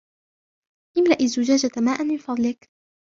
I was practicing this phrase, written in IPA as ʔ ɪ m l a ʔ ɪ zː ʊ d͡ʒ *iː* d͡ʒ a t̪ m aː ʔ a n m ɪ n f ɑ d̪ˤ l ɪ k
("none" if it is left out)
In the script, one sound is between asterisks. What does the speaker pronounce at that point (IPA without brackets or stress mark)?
aː